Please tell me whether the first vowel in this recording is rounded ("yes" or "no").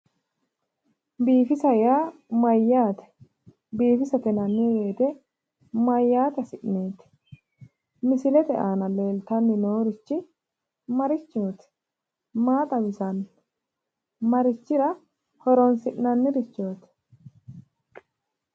no